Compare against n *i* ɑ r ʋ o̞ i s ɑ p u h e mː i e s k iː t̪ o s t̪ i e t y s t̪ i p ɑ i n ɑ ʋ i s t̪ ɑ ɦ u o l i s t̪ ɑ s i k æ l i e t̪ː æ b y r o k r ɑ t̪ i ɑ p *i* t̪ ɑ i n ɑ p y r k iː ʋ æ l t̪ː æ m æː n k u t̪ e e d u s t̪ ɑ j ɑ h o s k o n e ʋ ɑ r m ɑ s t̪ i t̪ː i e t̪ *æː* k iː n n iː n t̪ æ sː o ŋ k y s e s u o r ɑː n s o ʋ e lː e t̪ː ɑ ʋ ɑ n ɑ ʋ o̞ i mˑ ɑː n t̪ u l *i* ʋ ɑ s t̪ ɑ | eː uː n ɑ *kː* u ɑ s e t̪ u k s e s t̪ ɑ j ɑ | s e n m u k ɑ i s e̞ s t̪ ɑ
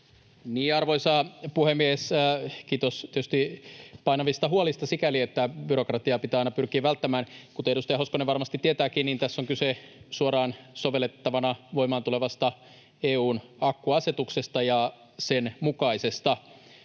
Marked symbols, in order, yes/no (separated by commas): no, yes, yes, no, yes